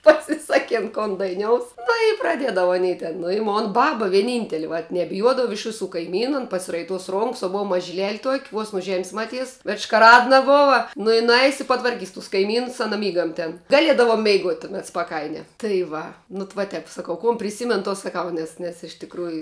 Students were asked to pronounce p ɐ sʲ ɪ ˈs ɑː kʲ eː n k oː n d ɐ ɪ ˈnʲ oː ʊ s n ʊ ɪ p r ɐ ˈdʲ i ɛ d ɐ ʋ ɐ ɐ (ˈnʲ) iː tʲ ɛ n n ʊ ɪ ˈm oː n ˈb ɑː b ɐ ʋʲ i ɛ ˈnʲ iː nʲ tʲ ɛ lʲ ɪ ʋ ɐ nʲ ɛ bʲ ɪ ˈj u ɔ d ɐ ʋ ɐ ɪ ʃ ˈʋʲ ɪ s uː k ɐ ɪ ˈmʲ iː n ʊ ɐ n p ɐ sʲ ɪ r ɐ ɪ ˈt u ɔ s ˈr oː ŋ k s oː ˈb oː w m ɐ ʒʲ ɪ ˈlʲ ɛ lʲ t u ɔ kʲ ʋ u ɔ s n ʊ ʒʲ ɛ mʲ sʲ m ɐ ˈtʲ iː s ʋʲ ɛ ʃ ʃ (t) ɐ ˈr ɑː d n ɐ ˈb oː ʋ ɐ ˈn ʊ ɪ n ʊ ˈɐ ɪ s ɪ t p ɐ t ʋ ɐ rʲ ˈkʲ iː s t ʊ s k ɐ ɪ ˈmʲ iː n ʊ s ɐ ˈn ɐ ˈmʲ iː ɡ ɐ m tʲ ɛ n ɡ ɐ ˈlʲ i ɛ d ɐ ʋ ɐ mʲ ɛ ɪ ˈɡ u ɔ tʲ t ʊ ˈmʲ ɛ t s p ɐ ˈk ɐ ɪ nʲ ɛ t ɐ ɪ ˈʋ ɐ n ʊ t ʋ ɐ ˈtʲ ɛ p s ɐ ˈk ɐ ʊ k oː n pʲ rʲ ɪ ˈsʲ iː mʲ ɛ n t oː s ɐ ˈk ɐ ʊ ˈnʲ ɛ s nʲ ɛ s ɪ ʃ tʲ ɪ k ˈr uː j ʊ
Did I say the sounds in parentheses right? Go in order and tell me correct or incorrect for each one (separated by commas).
correct, incorrect